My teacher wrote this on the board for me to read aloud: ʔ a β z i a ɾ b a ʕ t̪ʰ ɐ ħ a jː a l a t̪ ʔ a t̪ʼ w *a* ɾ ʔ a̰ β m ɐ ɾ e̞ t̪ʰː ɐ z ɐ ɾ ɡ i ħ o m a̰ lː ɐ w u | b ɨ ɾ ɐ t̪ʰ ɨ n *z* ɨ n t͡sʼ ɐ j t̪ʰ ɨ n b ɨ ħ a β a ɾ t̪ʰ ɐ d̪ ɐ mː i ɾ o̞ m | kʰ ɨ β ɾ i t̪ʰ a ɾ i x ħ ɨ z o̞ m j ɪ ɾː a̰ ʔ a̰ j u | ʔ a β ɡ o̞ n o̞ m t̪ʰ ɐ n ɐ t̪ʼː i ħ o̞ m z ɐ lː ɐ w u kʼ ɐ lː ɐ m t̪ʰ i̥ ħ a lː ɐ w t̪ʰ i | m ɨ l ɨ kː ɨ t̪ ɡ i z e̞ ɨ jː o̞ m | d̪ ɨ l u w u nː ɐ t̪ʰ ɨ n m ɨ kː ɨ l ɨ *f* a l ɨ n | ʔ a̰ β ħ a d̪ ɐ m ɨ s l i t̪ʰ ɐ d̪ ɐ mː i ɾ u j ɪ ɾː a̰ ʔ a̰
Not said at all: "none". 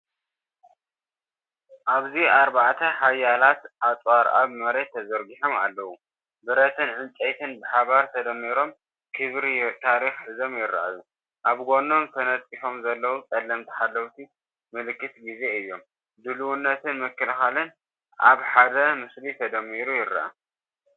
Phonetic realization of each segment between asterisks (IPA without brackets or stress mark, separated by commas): a, ʕ, x